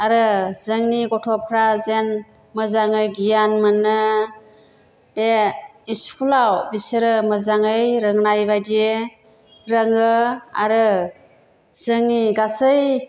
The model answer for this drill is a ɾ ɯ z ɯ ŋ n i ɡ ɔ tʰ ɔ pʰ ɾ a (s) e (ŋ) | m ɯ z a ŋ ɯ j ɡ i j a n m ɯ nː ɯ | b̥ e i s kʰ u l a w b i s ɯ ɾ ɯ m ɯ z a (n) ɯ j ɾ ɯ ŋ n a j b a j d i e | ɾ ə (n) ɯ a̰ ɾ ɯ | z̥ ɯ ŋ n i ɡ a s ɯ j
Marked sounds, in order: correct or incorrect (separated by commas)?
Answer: incorrect, incorrect, incorrect, incorrect